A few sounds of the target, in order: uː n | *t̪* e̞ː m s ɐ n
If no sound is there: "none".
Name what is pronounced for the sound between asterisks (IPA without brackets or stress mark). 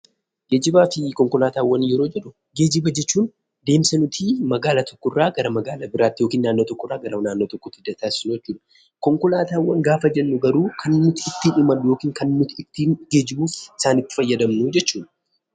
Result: d̪